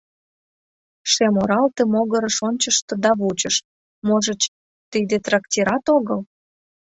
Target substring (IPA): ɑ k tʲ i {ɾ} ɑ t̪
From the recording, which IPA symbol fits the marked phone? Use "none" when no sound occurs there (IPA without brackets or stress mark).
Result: ɾ